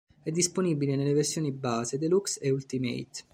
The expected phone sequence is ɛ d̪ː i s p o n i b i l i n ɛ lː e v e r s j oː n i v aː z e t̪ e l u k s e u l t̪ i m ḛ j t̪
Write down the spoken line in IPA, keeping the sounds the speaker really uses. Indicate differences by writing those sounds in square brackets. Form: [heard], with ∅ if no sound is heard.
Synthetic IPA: ɛ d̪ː i s p o n i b i l [e] n [e] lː e v e r s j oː n i [b] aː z e [d̪] e l u k s e u l t̪ i m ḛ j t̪